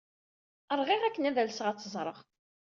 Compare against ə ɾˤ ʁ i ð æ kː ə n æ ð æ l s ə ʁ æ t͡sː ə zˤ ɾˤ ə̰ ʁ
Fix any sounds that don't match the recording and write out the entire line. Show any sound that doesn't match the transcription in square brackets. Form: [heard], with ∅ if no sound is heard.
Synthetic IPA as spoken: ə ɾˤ ʁ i [ʁ] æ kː ə n æ ð æ l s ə ʁ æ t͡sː ə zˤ ɾˤ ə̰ ʁ